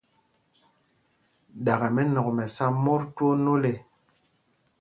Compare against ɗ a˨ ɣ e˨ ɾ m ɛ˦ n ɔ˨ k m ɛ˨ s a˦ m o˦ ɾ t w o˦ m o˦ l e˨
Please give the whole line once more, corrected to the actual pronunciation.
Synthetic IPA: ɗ a˨ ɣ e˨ m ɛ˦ n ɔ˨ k m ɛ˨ s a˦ m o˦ ɾ t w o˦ n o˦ l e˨